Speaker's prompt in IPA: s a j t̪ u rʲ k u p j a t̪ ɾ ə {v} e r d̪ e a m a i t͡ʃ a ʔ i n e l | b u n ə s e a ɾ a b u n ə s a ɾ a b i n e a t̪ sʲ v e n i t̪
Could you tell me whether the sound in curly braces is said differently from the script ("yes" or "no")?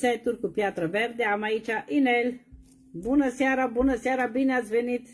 no